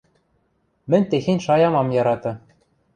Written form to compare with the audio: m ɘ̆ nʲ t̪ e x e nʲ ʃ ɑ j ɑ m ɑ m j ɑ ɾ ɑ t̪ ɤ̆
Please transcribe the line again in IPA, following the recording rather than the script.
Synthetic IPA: m ɘ̆ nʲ t̪ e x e nʲ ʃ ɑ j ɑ m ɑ m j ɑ ɾ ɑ t̪ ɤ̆